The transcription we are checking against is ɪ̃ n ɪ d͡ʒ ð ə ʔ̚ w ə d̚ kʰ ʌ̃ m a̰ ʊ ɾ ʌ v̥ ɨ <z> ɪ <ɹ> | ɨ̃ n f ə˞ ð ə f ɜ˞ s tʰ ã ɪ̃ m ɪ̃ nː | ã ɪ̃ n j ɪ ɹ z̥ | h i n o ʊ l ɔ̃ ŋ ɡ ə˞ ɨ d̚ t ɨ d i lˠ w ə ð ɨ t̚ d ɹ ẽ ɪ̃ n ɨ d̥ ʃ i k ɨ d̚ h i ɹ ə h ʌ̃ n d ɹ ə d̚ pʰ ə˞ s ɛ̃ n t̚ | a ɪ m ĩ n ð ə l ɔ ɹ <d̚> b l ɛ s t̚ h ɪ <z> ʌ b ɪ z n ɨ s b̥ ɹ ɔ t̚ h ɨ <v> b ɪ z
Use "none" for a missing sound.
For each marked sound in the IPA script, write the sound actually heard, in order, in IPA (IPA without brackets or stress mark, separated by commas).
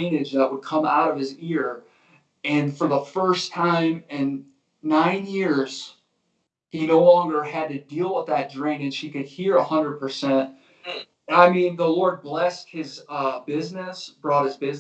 z, ɹ, d̚, z, z